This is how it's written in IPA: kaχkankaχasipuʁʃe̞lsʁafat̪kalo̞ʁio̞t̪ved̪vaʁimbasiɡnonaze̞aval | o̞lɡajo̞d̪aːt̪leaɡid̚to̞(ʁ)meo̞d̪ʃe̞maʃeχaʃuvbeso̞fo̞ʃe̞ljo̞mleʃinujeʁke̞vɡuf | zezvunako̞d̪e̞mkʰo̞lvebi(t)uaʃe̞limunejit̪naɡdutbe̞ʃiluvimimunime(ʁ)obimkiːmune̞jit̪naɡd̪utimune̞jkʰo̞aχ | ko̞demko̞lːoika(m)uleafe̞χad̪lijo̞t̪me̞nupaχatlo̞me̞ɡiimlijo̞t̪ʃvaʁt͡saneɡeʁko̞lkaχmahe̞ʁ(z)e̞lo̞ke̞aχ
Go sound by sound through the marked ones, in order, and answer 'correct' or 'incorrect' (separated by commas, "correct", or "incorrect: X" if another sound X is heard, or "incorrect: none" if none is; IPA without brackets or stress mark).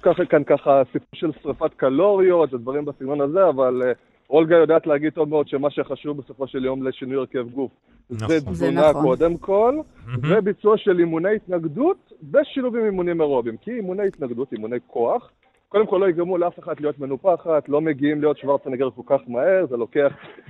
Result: incorrect: v, incorrect: t͡s, correct, correct, correct